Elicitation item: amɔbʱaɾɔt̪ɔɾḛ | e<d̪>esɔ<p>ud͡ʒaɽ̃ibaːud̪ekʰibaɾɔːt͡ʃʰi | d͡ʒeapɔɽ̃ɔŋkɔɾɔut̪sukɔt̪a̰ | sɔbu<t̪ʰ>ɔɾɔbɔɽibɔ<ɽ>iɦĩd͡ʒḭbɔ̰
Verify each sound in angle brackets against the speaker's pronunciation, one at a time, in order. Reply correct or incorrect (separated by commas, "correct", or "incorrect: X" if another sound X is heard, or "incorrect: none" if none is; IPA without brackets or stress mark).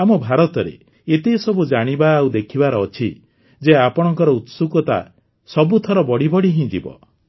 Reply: incorrect: t̪, incorrect: b, correct, correct